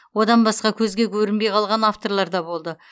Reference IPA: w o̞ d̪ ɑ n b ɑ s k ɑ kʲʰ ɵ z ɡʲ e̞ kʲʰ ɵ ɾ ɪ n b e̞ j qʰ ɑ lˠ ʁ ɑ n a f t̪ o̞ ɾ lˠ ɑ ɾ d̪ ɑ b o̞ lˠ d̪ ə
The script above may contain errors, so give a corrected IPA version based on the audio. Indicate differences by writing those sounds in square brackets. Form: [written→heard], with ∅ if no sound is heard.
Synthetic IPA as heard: w o̞ d̪ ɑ n b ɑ s [k→q] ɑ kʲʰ ɵ z ɡʲ e̞ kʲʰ ɵ ɾ ɪ n b e̞ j qʰ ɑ lˠ ʁ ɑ n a f t̪ o̞ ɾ lˠ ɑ ɾ d̪ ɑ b o̞ lˠ d̪ ə